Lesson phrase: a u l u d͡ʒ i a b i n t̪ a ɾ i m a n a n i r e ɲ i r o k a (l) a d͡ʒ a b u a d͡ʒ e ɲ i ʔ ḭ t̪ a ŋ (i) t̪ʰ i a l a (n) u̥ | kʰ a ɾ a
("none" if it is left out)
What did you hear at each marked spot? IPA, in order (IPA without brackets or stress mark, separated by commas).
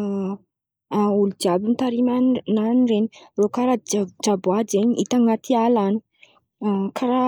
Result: ɾ, a, n